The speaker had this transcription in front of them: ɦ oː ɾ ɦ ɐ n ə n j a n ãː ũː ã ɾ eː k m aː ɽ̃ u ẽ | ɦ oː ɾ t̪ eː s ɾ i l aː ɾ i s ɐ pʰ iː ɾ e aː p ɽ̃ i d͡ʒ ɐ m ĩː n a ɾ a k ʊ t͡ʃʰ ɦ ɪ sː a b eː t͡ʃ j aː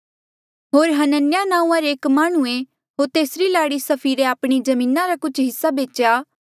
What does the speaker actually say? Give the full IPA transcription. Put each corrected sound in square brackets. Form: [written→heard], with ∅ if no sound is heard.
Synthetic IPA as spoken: ɦ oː ɾ ɦ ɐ n ə n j a n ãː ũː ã ɾ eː k m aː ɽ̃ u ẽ | ɦ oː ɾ t̪ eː s ɾ i l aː [ɾ→ɽ] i s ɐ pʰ iː ɾ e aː p ɽ̃ i d͡ʒ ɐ m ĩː n a ɾ a k ʊ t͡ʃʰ ɦ ɪ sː a b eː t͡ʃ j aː